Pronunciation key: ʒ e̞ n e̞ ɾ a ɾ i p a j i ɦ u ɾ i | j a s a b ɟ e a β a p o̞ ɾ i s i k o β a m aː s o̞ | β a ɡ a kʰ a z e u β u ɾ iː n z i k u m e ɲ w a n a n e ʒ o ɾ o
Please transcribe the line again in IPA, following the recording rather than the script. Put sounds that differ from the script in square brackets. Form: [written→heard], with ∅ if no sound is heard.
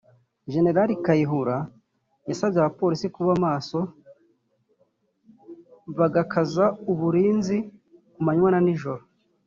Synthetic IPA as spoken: ʒ e̞ n e̞ ɾ a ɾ i [p→k] a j i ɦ u ɾ [i→a] | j a s a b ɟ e a β a p o̞ ɾ i s i k [o→u] β a m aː s o̞ | β a ɡ a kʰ a z [e→a] u β u ɾ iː n z i k u m [e→a] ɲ w a n a n [e→i] ʒ o ɾ o